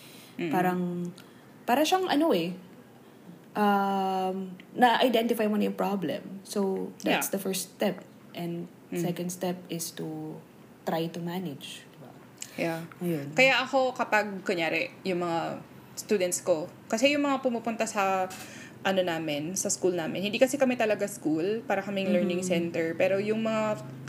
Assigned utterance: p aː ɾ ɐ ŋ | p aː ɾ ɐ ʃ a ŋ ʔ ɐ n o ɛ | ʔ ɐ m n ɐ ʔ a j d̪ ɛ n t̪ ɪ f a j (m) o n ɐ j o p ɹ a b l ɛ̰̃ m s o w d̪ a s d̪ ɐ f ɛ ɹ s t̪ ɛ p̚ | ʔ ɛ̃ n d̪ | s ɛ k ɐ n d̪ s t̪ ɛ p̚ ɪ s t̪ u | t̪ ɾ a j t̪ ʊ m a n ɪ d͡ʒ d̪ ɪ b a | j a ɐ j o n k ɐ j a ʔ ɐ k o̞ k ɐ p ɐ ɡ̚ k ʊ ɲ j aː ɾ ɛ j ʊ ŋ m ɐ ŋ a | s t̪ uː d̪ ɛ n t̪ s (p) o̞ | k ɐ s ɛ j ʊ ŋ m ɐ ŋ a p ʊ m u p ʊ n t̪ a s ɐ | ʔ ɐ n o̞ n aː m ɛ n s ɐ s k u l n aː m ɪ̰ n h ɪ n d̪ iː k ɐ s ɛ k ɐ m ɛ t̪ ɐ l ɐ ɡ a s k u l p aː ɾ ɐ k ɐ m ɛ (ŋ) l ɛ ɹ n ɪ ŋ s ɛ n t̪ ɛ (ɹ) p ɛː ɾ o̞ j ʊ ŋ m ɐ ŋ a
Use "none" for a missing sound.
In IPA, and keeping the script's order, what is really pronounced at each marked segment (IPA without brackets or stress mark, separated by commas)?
m, k, ŋ, ɹ